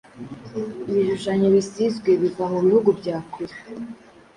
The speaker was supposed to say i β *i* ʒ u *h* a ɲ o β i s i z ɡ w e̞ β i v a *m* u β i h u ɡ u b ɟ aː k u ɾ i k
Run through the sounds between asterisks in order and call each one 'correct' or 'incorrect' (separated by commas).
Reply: correct, incorrect, correct